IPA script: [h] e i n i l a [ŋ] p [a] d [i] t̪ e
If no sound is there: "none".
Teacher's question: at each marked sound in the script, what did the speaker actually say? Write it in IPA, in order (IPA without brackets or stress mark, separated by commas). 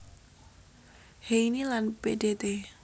h, n, e, e